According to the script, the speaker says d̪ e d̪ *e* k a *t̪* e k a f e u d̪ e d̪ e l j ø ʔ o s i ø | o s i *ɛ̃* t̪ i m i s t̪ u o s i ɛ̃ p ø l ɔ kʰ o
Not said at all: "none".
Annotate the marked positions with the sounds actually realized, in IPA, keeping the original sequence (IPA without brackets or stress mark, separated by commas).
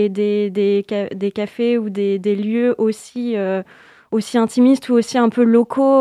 e, d̪, ɛ̃